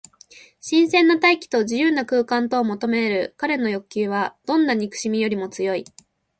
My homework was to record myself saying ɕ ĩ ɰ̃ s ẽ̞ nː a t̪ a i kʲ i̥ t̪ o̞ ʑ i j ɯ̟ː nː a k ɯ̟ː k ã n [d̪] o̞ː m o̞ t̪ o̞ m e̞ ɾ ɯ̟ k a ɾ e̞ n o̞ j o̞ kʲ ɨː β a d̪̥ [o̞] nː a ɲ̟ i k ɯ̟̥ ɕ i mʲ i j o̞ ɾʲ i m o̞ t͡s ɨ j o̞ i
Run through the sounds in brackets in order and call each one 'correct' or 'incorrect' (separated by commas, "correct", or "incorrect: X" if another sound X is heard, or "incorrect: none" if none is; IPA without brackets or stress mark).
incorrect: t̪, incorrect: õ̞